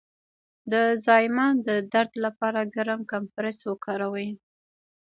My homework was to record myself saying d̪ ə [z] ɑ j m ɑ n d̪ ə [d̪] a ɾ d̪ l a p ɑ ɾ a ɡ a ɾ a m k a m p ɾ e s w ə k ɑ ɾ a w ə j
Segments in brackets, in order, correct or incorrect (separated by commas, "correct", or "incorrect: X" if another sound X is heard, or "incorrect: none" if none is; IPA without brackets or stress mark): correct, correct